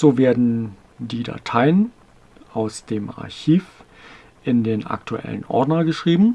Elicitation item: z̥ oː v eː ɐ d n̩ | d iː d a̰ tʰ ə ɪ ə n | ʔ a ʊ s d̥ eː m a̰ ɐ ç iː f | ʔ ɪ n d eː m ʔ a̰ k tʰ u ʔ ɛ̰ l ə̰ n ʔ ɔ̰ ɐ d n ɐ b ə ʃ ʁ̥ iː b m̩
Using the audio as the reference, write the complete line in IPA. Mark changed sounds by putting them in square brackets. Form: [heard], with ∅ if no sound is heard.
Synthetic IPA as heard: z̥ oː v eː ɐ d n̩ | d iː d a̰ tʰ [a] ɪ ə n | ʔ a ʊ s d̥ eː m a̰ ɐ ç iː f | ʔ ɪ n d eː [n] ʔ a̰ k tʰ u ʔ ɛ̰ l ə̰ n ʔ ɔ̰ ɐ d n ɐ [ɡ] ə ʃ ʁ̥ iː b m̩

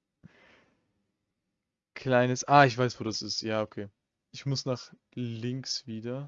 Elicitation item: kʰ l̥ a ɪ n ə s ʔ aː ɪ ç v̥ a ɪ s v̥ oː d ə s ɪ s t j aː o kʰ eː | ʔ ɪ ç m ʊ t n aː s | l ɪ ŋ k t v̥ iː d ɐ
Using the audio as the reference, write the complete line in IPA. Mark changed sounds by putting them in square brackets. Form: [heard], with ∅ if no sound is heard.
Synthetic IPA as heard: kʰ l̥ a ɪ n ə s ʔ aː ɪ ç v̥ a ɪ s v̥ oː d [a] s ɪ s t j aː o kʰ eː | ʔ ɪ ç m ʊ [s] n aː [χ] | l ɪ ŋ k [s] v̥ iː d ɐ

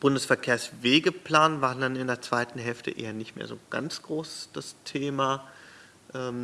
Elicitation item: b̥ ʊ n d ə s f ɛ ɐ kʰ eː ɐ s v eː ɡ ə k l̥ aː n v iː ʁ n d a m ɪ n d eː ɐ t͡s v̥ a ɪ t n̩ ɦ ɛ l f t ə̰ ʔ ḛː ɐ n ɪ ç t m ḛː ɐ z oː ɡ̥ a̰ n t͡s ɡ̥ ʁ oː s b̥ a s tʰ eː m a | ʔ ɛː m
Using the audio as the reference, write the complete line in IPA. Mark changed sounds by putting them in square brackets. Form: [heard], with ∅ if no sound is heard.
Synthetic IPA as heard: b̥ ʊ n d ə s f ɛ ɐ kʰ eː ɐ s v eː ɡ ə [p] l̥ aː n v [aː] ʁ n d a [n] ɪ n d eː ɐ t͡s v̥ a ɪ t n̩ ɦ ɛ l f t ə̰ ʔ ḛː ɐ n ɪ ç t m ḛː ɐ z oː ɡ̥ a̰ n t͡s ɡ̥ ʁ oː s [d̥] a s tʰ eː m a | ʔ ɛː m

